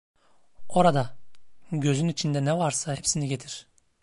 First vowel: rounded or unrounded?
rounded